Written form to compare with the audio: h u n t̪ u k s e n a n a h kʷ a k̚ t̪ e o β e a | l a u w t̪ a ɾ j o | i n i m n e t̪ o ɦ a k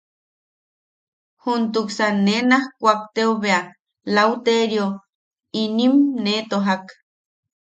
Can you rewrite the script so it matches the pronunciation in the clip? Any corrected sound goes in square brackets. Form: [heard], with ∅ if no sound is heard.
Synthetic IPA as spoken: h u n t̪ u k s [a] n [e] n a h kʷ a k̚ t̪ e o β e a | l a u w t̪ [e] ɾ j o | i n i m n e t̪ o ɦ a k